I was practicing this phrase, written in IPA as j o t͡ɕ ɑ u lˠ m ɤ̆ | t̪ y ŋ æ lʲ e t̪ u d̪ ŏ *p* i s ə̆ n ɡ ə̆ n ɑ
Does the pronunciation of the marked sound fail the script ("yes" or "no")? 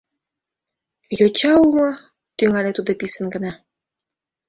no